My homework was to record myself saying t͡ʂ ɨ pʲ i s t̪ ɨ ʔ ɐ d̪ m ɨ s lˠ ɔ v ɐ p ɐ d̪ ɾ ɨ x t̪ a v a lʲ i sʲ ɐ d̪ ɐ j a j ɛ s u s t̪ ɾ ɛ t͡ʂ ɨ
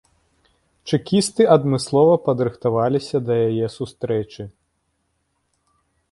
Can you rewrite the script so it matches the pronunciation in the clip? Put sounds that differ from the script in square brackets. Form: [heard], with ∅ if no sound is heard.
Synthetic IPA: t͡ʂ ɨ [kʲ] i s t̪ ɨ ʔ ɐ d̪ m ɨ s lˠ ɔ v ɐ p ɐ d̪ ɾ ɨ x t̪ a v a lʲ i sʲ ɐ d̪ ɐ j a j ɛ s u s t̪ ɾ ɛ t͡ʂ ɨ